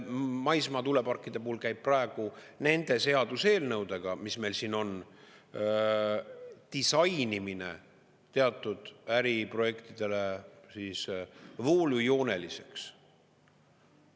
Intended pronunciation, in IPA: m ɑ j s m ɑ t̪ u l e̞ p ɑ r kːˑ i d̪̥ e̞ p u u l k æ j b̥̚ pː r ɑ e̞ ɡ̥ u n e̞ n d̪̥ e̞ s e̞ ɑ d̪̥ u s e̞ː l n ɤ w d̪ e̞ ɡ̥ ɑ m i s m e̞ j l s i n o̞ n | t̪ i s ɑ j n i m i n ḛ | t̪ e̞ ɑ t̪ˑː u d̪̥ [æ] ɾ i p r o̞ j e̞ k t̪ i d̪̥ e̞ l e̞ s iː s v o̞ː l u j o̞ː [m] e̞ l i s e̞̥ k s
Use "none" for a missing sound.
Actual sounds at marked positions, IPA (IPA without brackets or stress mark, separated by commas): æ, n